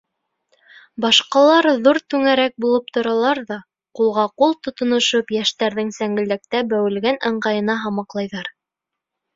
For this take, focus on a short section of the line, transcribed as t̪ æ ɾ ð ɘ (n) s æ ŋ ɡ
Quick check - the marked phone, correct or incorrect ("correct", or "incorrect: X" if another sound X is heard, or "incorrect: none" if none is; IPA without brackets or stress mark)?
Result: incorrect: ŋ